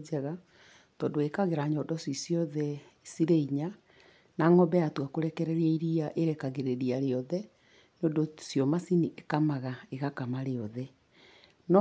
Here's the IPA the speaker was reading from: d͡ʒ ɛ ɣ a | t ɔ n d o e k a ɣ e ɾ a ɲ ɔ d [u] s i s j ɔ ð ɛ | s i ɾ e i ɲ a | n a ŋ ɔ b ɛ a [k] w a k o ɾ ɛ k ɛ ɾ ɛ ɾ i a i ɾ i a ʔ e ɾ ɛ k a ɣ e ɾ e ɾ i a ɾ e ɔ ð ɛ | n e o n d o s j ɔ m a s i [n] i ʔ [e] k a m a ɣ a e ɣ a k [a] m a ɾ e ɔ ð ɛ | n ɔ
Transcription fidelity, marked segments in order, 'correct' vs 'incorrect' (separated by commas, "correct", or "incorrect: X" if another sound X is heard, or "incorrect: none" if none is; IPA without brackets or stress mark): incorrect: ɔ, incorrect: t, correct, correct, correct